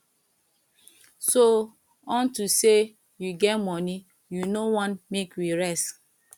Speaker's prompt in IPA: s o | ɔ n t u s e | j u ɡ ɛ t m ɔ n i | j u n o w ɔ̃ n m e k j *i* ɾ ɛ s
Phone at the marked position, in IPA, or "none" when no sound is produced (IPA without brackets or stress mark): i